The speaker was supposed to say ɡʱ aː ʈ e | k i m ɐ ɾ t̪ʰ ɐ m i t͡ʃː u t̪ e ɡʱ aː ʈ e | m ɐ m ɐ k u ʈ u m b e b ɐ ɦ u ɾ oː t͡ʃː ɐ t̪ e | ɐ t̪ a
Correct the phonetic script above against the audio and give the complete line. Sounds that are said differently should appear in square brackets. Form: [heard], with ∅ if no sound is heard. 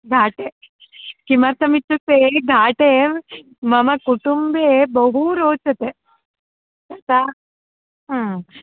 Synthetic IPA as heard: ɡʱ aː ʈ e | k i m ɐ ɾ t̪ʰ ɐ m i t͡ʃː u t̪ e ɡʱ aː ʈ e | m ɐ m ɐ k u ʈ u m b e b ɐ ɦ u ɾ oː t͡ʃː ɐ t̪ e | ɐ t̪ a